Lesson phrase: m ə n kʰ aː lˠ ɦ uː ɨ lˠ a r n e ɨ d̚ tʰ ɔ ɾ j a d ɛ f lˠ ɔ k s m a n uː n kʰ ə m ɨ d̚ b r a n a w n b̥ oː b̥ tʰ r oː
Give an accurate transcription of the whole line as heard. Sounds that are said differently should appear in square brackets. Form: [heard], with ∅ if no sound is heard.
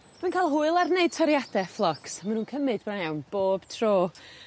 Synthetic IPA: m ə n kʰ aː lˠ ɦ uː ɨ lˠ a r n e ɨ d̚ tʰ ɔ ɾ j a d ɛ f lˠ ɔ k s m a n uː n kʰ ə m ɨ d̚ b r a n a w n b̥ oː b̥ tʰ r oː